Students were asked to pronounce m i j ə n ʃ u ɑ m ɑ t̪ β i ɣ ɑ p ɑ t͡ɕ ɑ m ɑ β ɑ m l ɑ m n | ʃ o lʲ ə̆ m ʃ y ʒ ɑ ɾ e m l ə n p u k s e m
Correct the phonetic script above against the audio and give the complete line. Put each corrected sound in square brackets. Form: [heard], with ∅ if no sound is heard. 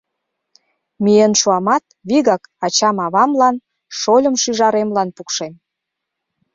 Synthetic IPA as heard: m i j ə n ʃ u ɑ m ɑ t̪ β i ɣ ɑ [k] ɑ t͡ɕ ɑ m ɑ β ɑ m l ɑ [∅] n | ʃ o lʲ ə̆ m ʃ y ʒ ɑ ɾ e m l [ɑ] n p u k [ʃ] e m